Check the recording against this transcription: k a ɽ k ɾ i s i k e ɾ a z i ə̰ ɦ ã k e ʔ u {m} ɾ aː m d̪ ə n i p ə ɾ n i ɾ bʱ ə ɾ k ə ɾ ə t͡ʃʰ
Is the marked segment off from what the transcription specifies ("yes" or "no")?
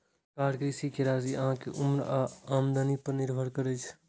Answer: no